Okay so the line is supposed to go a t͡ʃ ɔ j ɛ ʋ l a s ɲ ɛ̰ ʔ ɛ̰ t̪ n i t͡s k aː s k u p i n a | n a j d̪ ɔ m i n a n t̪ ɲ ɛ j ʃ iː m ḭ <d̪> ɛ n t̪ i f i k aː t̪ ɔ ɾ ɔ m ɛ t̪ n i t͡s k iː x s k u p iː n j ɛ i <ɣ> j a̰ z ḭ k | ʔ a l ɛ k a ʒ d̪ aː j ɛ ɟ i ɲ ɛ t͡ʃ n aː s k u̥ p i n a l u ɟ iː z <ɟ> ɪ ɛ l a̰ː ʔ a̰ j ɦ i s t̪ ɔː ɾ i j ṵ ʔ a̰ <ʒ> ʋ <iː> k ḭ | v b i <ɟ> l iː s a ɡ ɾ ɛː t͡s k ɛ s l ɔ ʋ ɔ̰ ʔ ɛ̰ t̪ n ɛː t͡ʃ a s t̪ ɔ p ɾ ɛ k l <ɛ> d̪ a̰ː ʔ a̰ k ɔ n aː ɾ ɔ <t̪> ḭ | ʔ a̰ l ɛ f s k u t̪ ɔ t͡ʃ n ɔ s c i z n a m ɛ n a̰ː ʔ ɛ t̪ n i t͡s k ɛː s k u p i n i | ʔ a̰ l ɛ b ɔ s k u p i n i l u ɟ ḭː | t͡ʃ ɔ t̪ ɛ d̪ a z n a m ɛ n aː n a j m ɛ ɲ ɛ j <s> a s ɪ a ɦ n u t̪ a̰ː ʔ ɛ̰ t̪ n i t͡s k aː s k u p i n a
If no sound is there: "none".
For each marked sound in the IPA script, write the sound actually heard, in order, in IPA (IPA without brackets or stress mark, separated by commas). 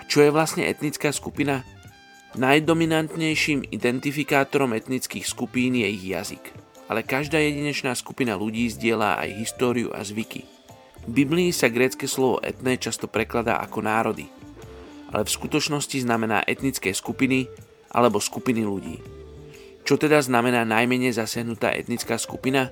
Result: d̪, ɣ, ɟ, z, i, b, a, d̪, z